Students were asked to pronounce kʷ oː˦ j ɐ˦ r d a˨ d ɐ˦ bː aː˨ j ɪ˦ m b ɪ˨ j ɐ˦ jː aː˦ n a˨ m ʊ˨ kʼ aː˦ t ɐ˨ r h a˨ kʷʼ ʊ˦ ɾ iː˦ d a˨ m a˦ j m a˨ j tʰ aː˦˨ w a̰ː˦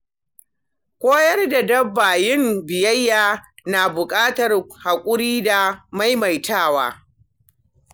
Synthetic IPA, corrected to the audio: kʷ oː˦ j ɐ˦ r d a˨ d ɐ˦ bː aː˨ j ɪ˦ m b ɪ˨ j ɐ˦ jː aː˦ n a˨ b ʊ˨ kʼ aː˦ t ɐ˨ r h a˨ kʷʼ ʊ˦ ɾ iː˦ d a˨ m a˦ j m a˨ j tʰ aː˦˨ w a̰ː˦

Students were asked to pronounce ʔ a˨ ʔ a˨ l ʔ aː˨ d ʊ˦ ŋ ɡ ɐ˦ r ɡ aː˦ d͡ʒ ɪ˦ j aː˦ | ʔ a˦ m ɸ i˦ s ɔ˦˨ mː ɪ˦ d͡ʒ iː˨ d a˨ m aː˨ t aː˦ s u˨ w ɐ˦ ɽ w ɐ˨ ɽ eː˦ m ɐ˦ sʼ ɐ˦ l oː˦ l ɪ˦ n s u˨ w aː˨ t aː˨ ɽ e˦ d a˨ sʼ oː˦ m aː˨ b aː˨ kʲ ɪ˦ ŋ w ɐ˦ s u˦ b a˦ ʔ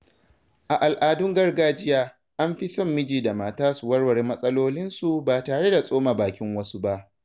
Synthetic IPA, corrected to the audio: ʔ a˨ ʔ a˨ l ʔ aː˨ d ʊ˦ ŋ ɡ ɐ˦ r ɡ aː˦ d͡ʒ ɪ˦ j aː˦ | ʔ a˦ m ɸ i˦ s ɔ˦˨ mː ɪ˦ d͡ʒ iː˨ d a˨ m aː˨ t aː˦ s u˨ w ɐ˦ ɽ w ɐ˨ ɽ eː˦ m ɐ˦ sʼ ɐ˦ l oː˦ l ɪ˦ n s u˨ b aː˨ t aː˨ ɽ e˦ d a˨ sʼ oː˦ m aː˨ b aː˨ kʲ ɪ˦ ŋ w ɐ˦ s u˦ b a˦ ʔ

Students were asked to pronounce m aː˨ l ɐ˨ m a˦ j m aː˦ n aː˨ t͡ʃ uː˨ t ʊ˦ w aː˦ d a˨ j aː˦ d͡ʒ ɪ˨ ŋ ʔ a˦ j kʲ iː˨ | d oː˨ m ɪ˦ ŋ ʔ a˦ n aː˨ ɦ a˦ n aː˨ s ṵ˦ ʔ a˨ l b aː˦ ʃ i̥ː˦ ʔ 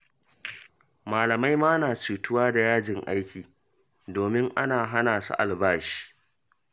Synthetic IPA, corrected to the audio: m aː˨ l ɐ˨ m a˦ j m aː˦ n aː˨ t͡ʃ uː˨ t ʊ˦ w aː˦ d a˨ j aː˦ d͡ʒ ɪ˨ ŋ ʔ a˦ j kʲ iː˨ | d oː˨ m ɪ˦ ŋ ʔ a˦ n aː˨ ɦ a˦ n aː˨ s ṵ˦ ʔ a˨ l b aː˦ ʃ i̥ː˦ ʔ

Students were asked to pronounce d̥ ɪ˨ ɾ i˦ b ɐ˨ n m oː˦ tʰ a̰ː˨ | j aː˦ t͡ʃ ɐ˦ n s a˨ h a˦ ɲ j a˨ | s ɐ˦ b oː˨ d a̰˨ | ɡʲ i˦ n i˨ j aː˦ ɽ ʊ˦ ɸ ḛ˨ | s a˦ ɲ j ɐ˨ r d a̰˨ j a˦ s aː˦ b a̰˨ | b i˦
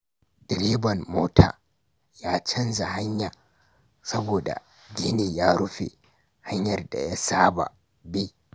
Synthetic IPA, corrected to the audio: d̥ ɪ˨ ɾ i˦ b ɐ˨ n m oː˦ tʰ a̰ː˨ | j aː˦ t͡ʃ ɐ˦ n z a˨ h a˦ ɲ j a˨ | s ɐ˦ b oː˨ d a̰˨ | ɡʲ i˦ n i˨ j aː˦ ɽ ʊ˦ ɸ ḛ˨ | h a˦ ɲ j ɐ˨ r d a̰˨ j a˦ s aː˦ b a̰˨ | b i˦

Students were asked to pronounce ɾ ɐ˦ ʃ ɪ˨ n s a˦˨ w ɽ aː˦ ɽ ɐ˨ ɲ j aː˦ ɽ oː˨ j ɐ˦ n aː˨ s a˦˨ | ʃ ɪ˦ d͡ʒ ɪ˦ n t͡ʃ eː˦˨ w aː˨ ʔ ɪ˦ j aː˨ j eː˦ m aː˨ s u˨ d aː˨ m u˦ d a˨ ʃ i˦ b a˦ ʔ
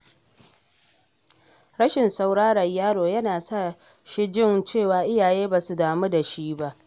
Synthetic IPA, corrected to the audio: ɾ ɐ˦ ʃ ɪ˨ n s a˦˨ w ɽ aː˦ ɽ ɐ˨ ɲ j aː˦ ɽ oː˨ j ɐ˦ n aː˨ s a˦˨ | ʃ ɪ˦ d͡ʒ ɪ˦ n t͡ʃ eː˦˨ w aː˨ ʔ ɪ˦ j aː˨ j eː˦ b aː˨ s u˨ d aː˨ m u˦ d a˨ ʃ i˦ b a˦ ʔ

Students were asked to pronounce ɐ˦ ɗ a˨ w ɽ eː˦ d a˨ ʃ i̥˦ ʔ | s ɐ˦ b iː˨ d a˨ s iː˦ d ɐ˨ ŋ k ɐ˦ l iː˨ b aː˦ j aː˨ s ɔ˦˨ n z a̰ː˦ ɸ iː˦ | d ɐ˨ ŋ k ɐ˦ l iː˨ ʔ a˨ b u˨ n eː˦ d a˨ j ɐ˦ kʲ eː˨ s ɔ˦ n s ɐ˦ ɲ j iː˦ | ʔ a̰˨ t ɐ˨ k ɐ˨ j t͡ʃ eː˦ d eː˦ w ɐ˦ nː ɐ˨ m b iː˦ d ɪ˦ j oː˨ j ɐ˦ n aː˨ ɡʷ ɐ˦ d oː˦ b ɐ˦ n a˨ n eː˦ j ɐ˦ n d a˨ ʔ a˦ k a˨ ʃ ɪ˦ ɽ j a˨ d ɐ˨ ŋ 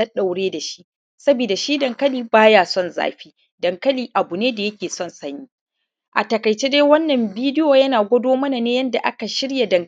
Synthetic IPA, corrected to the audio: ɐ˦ ɗ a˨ w ɽ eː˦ d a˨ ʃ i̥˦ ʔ | s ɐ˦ b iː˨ d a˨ ʃ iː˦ d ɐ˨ ŋ k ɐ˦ l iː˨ b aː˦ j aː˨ s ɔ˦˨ n z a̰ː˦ ɸ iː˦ | d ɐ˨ ŋ k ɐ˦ l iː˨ ʔ a˨ b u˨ n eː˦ d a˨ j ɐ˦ kʲ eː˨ s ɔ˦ n s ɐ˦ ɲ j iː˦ | ʔ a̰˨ t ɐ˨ k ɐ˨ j t͡ʃ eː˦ d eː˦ w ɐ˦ nː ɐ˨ m b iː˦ d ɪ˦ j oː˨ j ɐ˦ n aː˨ ɡʷ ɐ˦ d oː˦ m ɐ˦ n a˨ n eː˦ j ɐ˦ n d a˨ ʔ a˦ k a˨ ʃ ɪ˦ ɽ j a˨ d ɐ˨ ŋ

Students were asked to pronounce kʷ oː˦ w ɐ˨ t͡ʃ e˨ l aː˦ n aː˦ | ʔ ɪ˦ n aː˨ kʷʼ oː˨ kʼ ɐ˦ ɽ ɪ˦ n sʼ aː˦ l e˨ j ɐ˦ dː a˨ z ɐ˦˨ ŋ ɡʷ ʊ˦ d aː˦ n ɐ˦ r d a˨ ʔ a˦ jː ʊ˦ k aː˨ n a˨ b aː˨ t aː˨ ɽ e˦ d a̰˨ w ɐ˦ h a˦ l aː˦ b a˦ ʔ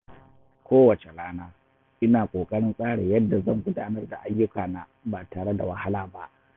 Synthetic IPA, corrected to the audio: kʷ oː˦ w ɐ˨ t͡ʃ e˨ l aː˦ n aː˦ | ʔ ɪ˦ n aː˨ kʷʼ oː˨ kʼ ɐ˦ ɽ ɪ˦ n sʼ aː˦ ɽ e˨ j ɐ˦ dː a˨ z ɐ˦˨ ŋ ɡʷ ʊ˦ d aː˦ n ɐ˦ r d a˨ ʔ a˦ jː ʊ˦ k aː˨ n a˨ b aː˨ t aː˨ ɽ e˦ d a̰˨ w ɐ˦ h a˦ l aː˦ b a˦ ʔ

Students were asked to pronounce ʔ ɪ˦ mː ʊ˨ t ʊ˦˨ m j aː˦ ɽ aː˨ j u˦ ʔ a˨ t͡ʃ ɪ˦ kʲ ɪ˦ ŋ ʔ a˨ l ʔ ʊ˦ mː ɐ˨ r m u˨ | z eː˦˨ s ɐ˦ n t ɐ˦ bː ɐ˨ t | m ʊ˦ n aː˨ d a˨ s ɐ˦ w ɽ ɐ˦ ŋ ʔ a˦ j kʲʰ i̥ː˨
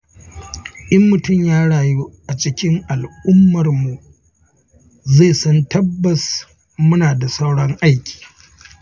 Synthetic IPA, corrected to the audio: ʔ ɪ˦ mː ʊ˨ t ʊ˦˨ m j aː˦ ɽ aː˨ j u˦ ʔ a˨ t͡ʃ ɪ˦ kʲ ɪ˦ ŋ ʔ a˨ l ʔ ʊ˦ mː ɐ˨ r m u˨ | z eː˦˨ s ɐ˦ n t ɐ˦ bː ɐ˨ s | m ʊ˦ n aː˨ d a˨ s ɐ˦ w ɽ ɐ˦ ŋ ʔ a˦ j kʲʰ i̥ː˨

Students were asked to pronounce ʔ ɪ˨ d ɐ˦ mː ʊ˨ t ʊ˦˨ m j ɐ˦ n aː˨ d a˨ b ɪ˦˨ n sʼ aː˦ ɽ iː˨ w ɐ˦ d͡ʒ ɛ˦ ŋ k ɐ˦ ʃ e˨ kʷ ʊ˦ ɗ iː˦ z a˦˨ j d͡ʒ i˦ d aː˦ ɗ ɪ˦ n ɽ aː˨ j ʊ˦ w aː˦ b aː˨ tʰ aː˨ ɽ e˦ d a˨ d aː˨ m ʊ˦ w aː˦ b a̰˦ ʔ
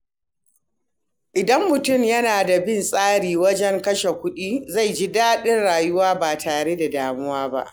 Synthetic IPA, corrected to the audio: ʔ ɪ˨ d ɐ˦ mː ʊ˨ t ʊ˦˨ m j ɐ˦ n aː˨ d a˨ b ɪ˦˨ n sʼ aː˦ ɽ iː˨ w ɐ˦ d͡ʒ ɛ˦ ŋ k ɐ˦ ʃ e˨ kʷ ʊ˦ ɗ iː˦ z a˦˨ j d͡ʒ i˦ d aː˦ ɗ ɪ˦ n ɽ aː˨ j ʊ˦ w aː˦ b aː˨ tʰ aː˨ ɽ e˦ d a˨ d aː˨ m ʊ˦ w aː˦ b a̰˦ ʔ

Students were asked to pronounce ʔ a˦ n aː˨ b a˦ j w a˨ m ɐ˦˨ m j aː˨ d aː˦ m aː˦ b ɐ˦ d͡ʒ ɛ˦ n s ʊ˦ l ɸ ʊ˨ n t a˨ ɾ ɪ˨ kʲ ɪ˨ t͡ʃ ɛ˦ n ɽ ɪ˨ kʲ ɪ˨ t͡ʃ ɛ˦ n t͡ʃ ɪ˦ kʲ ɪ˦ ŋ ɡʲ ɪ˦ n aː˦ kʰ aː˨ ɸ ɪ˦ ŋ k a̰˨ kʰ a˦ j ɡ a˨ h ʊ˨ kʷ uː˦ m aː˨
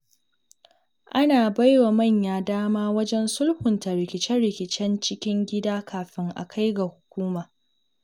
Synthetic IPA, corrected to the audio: ʔ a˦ n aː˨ b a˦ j w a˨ m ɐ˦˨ ɲ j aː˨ d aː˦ m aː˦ w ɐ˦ d͡ʒ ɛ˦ n s ʊ˦ l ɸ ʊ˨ n t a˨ ɾ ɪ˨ kʲ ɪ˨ t͡ʃ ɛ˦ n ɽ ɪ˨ kʲ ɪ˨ t͡ʃ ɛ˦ n t͡ʃ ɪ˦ kʲ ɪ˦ ŋ ɡʲ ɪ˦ d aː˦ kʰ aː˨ ɸ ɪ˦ ŋ ʔ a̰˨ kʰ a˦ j ɡ a˨ h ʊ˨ kʷ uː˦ m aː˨

